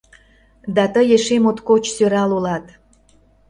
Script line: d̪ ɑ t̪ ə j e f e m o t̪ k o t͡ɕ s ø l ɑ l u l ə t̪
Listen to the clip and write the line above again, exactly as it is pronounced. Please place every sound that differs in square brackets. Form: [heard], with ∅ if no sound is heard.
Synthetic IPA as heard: d̪ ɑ t̪ ə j e [ʃ] e m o t̪ k o t͡ɕ s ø [ɾ] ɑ l u l [ɑ] t̪